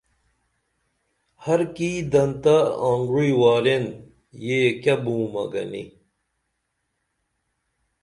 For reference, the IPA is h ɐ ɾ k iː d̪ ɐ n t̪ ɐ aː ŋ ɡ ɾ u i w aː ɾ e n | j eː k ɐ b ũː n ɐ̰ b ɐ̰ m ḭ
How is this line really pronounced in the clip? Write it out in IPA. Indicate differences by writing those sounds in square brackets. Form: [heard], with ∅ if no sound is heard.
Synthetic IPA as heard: h ɐ ɾ k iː d̪ ɐ n t̪ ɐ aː ŋ ɡ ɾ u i w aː ɾ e n | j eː k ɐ b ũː [m] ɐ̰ [ɡ] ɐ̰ [n] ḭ